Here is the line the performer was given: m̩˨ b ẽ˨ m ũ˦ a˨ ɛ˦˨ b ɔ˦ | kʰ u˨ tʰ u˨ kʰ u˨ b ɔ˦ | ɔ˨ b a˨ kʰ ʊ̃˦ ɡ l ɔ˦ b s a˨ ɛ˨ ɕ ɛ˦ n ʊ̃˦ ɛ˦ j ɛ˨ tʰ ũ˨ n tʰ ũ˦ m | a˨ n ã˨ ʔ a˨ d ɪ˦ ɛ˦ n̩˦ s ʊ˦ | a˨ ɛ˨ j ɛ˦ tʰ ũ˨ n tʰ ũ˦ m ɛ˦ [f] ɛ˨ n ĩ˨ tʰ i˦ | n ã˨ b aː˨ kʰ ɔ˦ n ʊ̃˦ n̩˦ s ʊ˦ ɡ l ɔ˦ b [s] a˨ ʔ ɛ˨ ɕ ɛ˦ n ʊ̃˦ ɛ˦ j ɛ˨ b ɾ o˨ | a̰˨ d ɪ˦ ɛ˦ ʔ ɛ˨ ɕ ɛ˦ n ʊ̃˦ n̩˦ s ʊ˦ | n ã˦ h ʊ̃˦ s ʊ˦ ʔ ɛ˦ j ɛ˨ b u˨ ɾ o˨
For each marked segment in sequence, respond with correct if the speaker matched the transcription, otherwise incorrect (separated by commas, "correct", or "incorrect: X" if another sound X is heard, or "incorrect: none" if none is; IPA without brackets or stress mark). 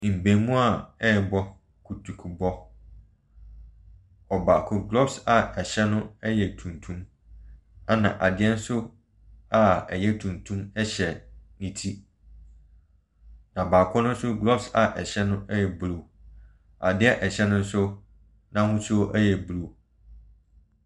incorrect: ɕ, correct